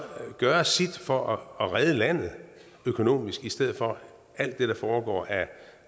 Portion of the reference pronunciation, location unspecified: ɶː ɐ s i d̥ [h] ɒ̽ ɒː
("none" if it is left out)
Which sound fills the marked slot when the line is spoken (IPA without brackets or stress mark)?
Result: f